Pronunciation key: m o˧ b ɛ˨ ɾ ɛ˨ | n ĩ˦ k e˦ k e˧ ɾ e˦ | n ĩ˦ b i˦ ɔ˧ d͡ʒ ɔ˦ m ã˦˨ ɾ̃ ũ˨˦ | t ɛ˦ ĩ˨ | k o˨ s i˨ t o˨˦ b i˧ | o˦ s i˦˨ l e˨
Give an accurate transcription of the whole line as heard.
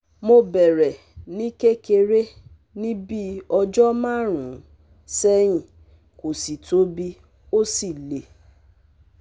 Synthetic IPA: m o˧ b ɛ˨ ɾ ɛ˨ | n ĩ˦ k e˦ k e˧ ɾ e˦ | n ĩ˦ b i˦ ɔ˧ d͡ʒ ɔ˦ m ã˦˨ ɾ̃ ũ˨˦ | s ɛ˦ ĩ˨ | k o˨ s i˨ t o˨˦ b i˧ | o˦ s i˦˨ l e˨